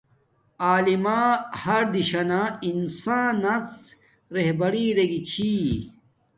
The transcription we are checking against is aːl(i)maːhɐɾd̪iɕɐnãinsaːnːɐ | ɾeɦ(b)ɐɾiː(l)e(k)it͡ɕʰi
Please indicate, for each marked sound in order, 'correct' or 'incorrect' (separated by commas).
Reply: correct, correct, incorrect, incorrect